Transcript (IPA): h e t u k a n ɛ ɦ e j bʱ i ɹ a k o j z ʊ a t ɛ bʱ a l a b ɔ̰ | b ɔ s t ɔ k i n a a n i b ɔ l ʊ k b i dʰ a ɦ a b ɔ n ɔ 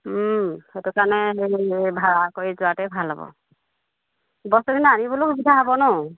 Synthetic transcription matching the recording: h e t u k a n ɛ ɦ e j bʱ a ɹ a k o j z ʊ a t ɛ bʱ a l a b ɔ̰ | b ɔ s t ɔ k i n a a n i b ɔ l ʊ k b i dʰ a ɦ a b ɔ n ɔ